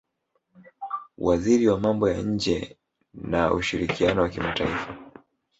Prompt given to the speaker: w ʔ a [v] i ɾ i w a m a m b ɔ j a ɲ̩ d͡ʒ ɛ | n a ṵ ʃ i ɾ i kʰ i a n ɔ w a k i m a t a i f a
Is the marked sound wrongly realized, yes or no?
yes